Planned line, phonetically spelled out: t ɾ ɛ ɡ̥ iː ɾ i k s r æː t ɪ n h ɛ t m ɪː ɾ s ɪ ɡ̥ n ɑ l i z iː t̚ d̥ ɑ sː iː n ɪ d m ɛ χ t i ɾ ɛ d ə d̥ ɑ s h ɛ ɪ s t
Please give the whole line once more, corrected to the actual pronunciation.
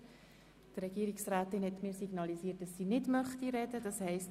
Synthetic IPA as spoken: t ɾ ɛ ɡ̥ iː ɾ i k s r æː t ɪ n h ɛ t m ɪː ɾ s i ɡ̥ n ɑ l i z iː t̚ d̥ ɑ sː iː n ɪ d m œ χ t i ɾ ɛ d ə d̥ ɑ s h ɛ ɪ s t